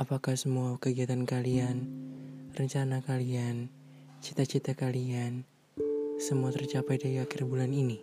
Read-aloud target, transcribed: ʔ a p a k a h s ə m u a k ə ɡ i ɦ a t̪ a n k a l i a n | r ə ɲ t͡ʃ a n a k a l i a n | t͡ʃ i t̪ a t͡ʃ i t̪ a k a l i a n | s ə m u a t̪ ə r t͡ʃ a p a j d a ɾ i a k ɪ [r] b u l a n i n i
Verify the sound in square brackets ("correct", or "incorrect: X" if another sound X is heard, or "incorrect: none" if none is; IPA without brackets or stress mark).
correct